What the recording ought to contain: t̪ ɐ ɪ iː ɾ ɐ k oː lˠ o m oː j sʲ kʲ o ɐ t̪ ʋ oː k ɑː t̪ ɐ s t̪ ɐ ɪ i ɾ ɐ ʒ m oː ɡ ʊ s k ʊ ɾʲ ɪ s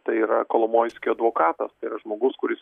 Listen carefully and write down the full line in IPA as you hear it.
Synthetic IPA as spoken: t̪ ɐ ɪ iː ɾ ɐ k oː lˠ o m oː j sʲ kʲ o ɐ d̪ ʋ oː k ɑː t̪ ɐ s t̪ ɐ ɪ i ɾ ɐ ʒ m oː ɡ ʊ s k ʊ ɾʲ ɪ s